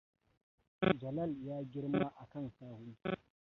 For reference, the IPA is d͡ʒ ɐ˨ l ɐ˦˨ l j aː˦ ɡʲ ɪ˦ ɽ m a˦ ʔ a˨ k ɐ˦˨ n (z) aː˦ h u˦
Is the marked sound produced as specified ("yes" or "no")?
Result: no